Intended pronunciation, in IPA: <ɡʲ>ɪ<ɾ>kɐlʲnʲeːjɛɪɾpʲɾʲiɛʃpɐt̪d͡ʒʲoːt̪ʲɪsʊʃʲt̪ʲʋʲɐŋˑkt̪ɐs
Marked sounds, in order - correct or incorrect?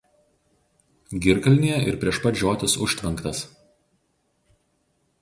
correct, correct

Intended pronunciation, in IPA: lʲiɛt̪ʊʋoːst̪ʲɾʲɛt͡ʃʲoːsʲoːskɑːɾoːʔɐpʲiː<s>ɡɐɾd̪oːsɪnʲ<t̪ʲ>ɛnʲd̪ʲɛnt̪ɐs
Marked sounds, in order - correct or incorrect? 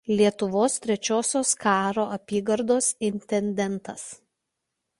incorrect: none, correct

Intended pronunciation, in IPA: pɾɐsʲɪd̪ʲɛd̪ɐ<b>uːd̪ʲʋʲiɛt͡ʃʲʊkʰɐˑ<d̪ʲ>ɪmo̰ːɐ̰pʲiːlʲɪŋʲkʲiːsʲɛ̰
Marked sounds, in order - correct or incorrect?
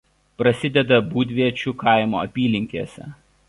correct, incorrect: none

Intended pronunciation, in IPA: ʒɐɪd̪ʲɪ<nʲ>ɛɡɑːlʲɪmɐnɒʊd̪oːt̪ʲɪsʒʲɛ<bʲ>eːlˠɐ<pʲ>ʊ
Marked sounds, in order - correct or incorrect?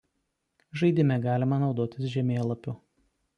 incorrect: mʲ, incorrect: mʲ, correct

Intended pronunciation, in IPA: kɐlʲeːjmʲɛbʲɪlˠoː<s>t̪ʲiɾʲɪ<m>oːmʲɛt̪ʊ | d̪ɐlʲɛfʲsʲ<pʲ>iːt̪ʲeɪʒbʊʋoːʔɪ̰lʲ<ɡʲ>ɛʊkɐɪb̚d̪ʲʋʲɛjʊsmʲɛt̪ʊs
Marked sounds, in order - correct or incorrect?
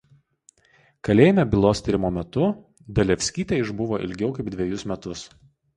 correct, correct, incorrect: kʲ, correct

